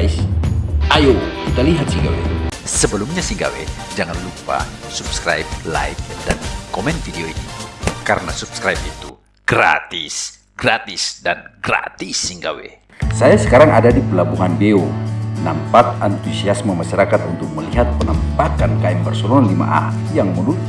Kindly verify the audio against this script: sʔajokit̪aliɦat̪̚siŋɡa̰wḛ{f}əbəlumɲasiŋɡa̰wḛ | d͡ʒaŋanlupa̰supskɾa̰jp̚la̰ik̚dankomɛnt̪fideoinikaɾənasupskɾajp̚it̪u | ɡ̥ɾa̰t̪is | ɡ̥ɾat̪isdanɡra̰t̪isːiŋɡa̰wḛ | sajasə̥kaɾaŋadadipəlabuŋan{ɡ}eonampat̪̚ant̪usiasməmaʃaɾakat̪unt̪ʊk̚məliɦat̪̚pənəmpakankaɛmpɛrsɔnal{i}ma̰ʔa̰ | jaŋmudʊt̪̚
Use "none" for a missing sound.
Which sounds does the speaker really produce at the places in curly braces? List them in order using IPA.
s, b, i

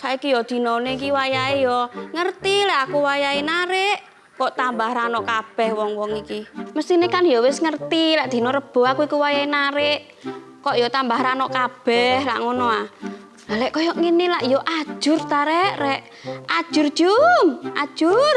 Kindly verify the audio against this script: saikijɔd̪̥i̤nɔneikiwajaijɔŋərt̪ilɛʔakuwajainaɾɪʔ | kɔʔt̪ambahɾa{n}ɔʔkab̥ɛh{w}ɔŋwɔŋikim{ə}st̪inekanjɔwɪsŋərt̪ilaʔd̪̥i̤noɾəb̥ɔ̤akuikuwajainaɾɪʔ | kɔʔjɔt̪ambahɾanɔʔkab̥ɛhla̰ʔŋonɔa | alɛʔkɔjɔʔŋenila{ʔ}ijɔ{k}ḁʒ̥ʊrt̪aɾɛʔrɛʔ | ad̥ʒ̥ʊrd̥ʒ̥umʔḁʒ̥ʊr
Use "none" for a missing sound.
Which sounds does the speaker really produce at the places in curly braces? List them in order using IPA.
n, w, ə, ʔ, ʔ

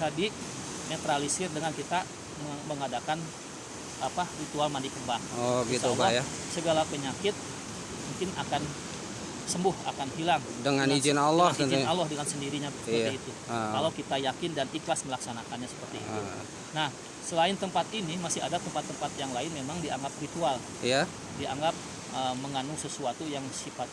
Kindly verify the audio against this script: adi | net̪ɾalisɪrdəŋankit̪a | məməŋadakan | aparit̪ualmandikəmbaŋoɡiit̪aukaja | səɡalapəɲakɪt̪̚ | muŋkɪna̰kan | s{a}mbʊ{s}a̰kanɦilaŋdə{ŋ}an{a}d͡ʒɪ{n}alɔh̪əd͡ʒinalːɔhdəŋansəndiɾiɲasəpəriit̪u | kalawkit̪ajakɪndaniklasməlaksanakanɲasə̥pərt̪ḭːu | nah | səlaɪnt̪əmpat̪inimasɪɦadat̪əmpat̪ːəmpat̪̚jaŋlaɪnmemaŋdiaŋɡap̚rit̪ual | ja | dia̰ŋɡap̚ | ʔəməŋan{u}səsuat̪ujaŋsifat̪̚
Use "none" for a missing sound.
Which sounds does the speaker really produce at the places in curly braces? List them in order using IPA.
ə, h, ŋ, i, n, u

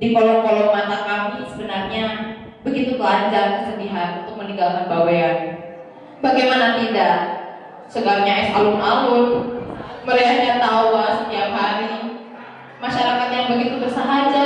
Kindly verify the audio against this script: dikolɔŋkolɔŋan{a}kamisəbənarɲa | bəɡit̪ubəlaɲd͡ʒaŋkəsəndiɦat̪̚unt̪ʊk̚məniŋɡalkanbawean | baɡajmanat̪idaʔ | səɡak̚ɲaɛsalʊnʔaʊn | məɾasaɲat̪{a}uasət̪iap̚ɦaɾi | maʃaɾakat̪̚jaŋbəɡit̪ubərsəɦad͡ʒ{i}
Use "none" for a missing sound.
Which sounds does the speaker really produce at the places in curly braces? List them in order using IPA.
a, a, a

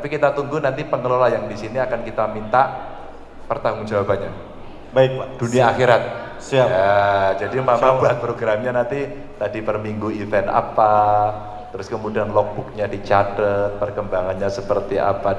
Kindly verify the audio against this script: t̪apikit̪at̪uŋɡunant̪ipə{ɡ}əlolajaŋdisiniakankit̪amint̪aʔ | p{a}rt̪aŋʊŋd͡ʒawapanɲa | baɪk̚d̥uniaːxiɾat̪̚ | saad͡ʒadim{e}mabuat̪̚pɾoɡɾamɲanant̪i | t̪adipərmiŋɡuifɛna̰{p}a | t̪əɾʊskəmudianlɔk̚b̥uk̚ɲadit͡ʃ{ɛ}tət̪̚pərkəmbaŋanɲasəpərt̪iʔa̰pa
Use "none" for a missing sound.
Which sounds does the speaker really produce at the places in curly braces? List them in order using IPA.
ŋ, ə, a, p, a

